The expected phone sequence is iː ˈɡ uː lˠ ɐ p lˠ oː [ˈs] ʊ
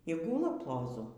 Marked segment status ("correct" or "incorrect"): incorrect